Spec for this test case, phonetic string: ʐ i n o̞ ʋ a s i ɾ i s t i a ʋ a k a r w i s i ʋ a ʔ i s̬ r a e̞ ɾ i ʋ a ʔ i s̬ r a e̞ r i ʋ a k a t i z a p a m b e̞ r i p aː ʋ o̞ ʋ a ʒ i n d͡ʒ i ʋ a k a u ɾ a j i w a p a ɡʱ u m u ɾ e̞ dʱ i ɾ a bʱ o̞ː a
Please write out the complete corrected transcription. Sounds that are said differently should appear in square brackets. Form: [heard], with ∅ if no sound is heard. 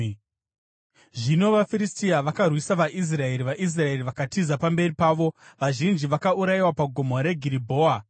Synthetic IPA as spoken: ʐ i n o̞ ʋ a [f] i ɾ i s t i a ʋ a k a r w i s [a] ʋ a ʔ i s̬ r a e̞ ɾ i ʋ a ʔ i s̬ r a e̞ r i ʋ a k a t i z a p a m b e̞ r i p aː ʋ o̞ ʋ a ʒ i n d͡ʒ i ʋ a k a u ɾ a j i w a p a ɡʱ [o] m [o] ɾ e̞ [ɡʱ] i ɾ [i] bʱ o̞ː a